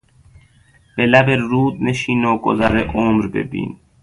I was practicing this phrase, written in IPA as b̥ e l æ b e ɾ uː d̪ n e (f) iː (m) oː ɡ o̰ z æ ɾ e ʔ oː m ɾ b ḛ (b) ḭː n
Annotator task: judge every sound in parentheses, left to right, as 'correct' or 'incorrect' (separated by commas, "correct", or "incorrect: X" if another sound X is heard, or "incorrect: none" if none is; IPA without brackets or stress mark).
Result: incorrect: ʃ, incorrect: n, correct